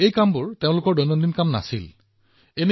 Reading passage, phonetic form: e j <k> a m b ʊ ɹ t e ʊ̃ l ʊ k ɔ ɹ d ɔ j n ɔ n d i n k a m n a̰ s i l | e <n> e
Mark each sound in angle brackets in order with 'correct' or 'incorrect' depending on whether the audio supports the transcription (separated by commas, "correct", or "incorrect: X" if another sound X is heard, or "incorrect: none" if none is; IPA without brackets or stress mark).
correct, correct